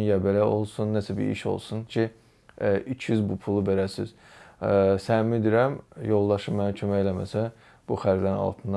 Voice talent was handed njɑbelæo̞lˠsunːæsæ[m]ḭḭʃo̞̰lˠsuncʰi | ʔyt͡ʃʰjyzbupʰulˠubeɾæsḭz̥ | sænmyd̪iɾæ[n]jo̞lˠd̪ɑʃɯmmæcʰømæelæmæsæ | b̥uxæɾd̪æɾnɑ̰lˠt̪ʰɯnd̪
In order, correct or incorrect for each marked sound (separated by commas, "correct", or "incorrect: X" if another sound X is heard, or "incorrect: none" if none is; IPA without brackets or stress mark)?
incorrect: b, incorrect: m